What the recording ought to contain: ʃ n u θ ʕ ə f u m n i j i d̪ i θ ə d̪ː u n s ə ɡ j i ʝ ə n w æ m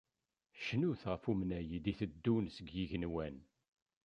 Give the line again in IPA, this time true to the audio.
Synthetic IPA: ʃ n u θ ʁ ə f u m n æ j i d̪ i θ ə d̪ː u n s ə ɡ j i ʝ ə n w æ n